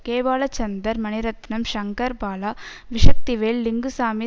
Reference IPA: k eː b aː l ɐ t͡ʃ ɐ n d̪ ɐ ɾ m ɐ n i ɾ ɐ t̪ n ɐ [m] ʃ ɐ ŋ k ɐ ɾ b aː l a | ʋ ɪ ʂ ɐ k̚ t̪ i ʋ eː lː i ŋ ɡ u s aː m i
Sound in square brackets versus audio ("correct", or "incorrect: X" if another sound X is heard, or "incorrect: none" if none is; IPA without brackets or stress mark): correct